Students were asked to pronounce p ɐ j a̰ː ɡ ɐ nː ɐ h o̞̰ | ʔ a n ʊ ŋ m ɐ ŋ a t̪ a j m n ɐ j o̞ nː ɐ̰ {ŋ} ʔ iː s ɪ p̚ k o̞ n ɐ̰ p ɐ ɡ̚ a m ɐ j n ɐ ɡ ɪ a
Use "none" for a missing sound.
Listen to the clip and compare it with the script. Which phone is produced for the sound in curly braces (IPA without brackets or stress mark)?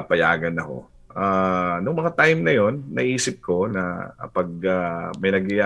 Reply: none